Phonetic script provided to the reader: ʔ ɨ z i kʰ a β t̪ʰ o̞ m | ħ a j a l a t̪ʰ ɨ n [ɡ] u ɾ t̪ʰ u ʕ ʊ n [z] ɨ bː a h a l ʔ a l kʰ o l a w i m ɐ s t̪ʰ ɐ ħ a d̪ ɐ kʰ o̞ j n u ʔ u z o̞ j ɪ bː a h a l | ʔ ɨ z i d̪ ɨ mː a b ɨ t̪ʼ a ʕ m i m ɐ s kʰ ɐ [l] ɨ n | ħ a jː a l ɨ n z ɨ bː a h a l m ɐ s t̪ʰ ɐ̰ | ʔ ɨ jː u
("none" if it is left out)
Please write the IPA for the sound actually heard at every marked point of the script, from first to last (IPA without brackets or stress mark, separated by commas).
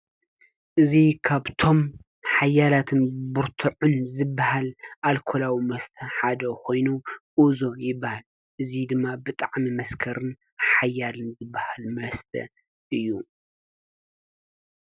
b, z, ɾ